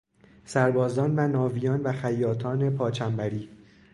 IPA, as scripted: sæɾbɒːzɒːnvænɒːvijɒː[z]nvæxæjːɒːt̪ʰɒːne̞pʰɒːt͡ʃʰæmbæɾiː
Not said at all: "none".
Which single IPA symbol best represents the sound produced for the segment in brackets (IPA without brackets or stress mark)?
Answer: none